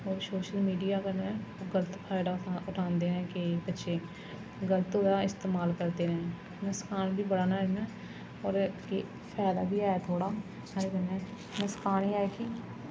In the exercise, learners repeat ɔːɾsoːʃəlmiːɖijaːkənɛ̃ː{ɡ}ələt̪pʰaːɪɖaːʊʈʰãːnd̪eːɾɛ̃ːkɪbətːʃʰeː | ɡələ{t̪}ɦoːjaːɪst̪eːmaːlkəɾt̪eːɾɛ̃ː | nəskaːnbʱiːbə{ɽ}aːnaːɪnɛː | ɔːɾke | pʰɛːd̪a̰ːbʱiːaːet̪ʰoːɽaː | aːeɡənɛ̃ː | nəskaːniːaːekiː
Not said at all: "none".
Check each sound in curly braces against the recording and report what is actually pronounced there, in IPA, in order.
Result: ɡ, t̪, ɽ

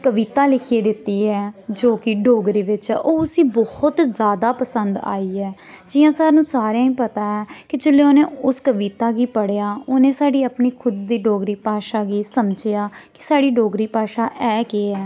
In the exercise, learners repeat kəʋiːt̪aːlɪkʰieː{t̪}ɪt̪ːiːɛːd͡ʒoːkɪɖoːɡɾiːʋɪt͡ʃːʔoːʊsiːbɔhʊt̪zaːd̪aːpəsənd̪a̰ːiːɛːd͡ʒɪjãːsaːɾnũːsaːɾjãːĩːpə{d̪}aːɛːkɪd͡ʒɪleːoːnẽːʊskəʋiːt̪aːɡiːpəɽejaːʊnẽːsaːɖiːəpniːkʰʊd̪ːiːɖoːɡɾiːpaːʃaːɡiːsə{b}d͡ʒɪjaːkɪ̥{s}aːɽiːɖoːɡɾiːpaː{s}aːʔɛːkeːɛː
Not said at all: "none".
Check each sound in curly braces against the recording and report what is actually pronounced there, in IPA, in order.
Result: d̪, t̪, m, s, ʃ

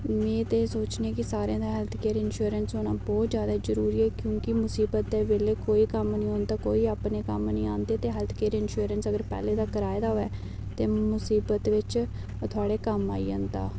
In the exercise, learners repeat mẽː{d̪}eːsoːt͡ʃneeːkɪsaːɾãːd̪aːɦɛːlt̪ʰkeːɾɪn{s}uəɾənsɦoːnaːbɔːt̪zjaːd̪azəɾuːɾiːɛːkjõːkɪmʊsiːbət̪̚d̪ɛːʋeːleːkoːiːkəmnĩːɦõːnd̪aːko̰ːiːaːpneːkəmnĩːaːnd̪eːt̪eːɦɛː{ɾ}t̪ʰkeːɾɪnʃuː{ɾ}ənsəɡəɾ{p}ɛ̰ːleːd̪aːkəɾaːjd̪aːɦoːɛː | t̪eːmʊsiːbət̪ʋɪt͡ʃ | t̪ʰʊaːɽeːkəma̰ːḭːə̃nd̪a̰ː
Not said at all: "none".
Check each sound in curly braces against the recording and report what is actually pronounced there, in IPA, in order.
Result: t̪, ʃ, l, ɾ, p

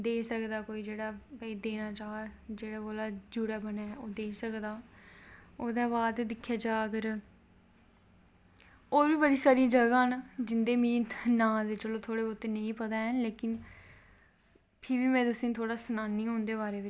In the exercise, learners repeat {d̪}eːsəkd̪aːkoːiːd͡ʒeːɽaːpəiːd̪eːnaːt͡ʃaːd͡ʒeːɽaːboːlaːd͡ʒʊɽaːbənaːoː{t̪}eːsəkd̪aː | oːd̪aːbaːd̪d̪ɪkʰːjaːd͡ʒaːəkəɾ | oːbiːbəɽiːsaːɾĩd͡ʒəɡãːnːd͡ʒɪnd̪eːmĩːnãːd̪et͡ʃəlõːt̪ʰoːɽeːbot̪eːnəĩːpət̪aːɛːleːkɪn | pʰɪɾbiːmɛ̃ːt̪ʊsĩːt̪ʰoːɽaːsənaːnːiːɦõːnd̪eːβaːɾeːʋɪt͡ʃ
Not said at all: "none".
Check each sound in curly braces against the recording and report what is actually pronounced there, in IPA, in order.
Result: d̪, d̪

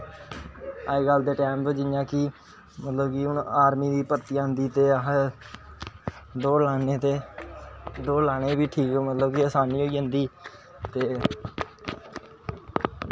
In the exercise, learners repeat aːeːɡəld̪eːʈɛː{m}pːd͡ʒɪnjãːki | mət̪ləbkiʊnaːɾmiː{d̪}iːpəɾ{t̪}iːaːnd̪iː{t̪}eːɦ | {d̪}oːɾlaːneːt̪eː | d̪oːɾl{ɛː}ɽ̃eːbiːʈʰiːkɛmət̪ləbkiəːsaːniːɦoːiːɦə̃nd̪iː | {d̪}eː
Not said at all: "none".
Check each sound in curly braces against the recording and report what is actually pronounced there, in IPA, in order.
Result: m, d̪, t̪, t̪, d̪, aː, t̪

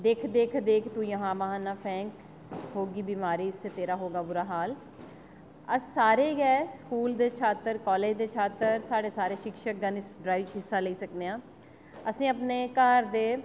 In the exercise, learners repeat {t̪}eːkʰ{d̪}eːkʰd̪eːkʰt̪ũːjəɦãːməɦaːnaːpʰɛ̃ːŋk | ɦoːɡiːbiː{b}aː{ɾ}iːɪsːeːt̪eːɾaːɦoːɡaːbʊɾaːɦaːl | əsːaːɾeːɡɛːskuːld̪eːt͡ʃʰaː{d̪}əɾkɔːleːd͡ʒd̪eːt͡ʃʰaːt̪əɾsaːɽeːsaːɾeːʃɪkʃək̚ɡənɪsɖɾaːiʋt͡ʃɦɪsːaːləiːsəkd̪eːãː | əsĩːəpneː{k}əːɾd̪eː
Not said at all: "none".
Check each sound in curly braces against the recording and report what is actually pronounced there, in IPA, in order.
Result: d̪, d̪, m, ɾ, t̪, k

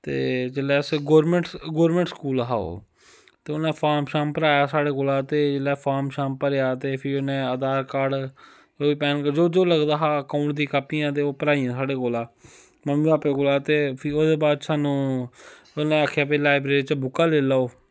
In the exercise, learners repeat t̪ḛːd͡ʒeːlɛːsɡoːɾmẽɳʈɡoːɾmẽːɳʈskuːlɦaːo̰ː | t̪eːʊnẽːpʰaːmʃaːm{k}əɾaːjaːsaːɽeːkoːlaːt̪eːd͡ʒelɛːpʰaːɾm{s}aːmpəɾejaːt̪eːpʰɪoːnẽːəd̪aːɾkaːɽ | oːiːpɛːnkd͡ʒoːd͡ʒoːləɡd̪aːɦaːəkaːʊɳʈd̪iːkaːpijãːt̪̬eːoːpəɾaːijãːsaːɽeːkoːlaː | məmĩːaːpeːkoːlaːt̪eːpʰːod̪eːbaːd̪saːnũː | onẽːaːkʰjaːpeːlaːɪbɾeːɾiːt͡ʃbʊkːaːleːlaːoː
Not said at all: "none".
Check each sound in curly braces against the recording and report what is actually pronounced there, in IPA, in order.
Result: p, ʃ

